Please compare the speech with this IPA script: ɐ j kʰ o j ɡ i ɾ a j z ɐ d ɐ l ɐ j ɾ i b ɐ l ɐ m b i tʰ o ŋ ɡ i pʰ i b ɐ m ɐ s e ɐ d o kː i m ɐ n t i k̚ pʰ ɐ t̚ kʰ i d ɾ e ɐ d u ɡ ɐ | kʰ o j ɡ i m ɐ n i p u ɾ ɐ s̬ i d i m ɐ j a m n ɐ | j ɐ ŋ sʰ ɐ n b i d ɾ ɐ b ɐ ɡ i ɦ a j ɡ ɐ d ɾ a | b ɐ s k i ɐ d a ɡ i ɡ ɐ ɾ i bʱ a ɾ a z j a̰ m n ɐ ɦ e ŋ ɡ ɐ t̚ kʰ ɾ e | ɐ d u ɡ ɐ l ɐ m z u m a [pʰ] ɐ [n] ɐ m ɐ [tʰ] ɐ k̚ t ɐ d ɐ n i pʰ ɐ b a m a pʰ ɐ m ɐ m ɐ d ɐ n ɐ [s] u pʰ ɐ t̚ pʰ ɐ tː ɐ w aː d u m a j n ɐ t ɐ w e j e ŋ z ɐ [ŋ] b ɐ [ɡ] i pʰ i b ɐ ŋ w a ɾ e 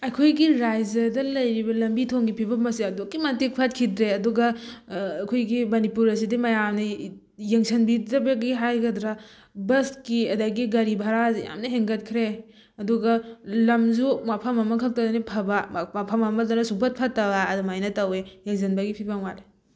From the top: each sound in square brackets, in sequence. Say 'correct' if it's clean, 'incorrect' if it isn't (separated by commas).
correct, incorrect, incorrect, correct, incorrect, correct